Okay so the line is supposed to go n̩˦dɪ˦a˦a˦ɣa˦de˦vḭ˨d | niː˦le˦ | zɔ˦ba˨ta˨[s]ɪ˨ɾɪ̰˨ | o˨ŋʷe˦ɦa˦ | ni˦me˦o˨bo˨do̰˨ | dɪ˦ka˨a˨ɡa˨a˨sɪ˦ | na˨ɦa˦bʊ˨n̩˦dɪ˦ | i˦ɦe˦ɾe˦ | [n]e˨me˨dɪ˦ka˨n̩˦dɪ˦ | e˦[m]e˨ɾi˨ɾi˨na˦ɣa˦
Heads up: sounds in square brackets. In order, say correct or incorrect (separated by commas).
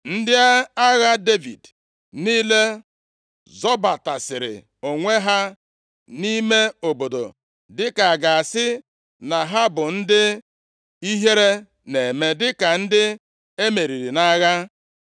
correct, correct, correct